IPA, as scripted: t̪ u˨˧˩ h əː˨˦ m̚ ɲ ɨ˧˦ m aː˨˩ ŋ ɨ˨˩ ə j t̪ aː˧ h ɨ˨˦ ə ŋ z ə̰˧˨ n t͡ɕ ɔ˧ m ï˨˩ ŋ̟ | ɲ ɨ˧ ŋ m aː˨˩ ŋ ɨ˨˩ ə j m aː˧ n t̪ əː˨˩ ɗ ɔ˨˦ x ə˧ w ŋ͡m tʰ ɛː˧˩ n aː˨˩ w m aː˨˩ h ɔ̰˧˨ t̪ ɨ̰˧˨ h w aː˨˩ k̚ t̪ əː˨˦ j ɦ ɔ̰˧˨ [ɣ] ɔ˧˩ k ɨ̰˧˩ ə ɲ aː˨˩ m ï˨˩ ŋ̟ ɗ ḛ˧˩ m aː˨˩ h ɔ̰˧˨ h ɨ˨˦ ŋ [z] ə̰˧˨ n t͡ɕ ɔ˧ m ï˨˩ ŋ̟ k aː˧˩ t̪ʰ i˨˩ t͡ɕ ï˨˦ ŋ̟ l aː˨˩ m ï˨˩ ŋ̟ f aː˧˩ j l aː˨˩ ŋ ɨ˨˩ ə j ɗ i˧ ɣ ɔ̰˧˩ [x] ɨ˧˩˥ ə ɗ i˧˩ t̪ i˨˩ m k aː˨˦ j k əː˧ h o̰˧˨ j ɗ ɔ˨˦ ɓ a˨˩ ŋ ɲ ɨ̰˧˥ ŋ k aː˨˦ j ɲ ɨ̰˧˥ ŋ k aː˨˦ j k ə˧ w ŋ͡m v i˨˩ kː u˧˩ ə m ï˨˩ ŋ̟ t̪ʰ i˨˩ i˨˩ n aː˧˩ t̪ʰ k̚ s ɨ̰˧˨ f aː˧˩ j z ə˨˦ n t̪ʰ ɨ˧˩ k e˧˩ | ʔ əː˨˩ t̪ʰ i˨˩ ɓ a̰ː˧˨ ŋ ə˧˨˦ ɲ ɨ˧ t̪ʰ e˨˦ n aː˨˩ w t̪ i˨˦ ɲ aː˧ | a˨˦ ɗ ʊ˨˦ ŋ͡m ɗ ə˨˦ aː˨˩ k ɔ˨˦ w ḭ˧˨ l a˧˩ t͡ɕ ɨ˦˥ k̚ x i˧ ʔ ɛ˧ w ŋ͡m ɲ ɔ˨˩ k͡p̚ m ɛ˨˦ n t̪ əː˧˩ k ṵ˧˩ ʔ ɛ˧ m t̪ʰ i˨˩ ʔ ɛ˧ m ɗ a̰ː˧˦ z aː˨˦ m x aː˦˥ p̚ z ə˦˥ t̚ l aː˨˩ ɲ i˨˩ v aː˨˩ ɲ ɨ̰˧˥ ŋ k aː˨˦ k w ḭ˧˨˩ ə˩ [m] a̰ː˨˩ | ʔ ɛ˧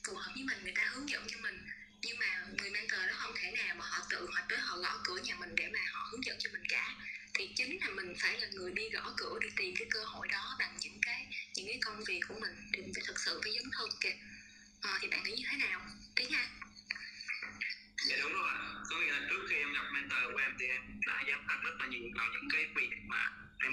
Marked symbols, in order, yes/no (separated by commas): yes, yes, no, yes